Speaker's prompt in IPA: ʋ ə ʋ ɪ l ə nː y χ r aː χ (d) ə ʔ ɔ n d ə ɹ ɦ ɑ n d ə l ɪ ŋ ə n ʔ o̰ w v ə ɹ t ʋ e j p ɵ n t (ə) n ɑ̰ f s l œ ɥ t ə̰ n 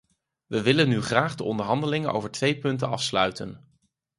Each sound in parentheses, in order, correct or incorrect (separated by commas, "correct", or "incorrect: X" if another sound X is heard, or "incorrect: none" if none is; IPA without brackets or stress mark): correct, correct